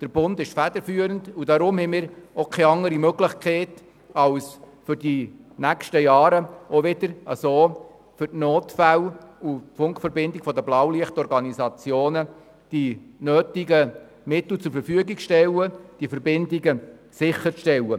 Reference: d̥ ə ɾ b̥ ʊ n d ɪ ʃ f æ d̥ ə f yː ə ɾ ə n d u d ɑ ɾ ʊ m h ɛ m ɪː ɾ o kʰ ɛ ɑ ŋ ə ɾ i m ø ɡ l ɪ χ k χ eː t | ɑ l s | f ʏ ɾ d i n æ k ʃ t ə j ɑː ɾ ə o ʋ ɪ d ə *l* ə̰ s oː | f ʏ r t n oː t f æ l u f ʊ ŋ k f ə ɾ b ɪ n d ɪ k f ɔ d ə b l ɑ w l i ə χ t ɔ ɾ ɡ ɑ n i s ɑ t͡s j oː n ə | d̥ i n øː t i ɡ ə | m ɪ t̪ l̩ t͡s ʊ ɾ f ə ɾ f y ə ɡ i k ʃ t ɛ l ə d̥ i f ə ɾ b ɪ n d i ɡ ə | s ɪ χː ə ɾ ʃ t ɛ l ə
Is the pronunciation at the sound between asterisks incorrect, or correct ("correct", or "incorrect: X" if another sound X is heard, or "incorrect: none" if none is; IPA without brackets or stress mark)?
incorrect: ɾ